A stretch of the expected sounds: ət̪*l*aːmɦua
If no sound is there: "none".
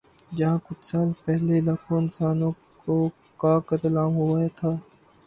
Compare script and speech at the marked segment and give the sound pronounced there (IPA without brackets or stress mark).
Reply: l